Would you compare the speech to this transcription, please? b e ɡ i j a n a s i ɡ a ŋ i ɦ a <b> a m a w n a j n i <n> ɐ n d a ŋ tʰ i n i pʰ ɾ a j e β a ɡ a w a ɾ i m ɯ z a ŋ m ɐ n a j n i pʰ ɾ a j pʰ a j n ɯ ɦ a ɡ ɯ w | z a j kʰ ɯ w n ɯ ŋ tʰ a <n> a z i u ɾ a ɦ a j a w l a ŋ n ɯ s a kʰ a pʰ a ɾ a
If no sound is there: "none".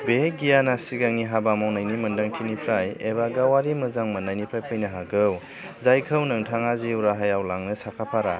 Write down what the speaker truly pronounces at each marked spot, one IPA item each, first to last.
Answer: b, m, ŋ

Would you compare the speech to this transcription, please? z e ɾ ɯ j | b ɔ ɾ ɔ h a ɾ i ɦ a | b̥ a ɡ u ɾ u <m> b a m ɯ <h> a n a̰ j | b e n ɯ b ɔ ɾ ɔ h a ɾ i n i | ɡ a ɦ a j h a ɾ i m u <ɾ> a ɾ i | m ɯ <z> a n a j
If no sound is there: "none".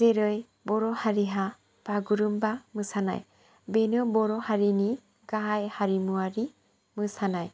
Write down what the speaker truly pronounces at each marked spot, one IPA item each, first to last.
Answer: m, s, none, s

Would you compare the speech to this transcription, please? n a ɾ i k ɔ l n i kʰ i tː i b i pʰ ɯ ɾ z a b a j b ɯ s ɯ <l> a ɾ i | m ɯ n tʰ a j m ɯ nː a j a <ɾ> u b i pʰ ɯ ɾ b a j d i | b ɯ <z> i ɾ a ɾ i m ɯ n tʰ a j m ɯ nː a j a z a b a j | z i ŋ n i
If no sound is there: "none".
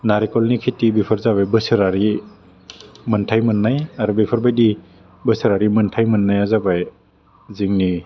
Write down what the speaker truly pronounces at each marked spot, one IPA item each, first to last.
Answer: ɾ, ɾ, s

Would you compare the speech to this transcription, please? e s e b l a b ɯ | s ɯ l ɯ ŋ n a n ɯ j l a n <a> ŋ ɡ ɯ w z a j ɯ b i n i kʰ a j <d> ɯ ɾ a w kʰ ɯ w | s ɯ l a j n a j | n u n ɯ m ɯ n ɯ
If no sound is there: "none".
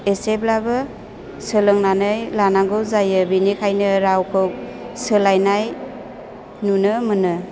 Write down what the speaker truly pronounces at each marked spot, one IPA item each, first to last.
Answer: a, n

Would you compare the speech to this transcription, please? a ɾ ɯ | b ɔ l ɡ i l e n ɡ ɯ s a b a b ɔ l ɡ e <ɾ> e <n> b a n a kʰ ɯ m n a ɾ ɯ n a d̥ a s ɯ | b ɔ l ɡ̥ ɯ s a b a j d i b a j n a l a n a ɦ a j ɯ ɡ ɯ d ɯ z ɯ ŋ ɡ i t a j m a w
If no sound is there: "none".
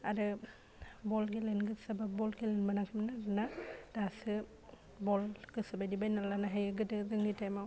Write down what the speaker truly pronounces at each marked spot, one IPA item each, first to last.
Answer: l, n

